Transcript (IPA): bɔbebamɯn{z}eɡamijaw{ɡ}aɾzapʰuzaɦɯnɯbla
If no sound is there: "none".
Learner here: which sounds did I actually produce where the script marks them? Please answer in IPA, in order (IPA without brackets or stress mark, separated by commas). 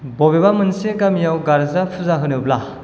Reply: s, ɡ